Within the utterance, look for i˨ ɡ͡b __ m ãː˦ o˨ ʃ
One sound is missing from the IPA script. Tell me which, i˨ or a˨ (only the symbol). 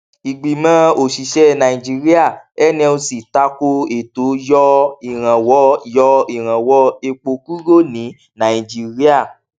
i˨